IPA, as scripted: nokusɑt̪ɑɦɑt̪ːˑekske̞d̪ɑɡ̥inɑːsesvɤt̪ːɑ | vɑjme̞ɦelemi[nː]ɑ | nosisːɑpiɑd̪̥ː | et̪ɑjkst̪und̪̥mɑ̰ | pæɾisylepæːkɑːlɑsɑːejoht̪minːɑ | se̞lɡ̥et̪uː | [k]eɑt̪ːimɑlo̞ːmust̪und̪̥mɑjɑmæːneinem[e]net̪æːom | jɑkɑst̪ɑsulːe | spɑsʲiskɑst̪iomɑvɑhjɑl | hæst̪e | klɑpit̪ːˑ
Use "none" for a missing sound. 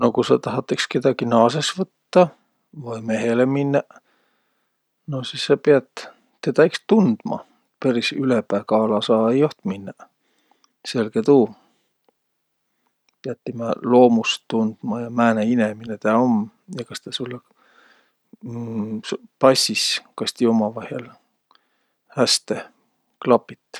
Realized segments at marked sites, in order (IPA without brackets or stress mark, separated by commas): nː, p, i